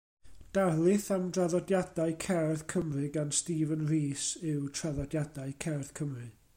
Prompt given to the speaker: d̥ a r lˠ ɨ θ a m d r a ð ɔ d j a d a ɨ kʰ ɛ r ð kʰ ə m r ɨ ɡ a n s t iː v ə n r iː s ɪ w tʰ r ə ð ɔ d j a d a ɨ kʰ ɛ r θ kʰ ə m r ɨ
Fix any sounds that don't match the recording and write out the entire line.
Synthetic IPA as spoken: d̥ a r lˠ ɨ θ a m d r a ð ɔ d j a d a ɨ kʰ ɛ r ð kʰ ə m r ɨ ɡ a n s t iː v ə n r iː s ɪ w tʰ r a ð ɔ d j a d a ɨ kʰ ɛ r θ kʰ ə m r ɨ